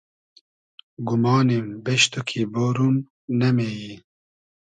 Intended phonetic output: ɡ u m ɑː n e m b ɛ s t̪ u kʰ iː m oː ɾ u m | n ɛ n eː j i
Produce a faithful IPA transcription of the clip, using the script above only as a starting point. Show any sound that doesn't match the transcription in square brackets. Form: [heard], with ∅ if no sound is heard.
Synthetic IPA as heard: ɡ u m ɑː n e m b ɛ [ʃ] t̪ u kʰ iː [b] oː ɾ u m | n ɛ [m] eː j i